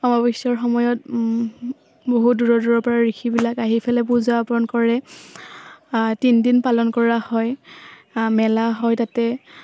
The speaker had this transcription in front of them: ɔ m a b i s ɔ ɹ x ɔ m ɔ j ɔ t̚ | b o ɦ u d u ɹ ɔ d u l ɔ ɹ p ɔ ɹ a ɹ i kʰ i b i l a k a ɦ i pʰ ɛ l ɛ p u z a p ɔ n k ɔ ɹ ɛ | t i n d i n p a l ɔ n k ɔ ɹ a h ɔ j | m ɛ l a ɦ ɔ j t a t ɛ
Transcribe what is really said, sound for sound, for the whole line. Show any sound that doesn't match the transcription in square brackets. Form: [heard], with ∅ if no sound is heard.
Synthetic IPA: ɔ m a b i s ɔ ɹ x ɔ m ɔ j ɔ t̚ | b o ɦ u d u ɹ ɔ d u [ɹ] ɔ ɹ p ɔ ɹ a ɹ i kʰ i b i l a k a ɦ i pʰ ɛ l ɛ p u z a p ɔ n k ɔ ɹ ɛ | t i n d i n p a l ɔ n k ɔ ɹ a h ɔ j | m ɛ l a ɦ ɔ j t a t ɛ